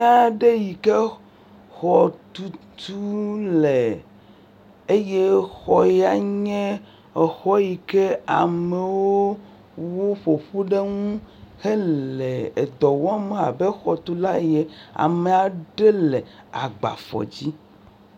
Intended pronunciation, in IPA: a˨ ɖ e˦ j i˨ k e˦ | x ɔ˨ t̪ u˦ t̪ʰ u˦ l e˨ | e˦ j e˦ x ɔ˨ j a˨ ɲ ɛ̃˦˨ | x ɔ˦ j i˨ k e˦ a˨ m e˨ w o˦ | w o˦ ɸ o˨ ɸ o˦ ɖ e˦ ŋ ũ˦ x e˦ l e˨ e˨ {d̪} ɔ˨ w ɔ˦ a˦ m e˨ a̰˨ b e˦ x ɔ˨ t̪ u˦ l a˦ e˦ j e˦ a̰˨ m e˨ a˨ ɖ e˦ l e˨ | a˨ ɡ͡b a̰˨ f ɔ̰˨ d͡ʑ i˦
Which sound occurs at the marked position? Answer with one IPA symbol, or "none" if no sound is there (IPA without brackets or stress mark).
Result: d̪